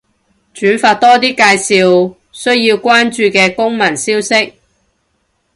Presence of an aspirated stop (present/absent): absent